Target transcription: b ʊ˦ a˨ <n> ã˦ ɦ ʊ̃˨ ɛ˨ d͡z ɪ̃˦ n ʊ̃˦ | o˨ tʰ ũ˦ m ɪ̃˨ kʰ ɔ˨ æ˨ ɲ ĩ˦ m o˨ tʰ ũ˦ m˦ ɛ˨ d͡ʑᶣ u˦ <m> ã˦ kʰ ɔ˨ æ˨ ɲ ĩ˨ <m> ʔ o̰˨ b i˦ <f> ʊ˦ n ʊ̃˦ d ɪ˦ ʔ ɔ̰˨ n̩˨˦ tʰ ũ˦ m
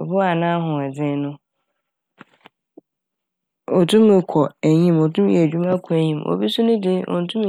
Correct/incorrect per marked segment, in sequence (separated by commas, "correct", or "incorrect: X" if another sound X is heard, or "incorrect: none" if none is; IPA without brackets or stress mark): correct, correct, correct, incorrect: s